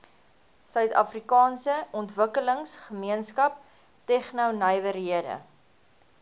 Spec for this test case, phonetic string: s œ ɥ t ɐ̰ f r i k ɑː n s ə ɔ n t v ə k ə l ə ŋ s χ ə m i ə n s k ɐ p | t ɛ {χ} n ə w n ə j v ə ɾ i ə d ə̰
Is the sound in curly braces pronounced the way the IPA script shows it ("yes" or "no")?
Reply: yes